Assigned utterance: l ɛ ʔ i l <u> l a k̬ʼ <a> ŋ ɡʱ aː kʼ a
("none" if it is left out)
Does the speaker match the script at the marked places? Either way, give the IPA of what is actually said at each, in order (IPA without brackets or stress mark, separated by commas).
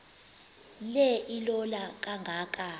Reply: ɔ, a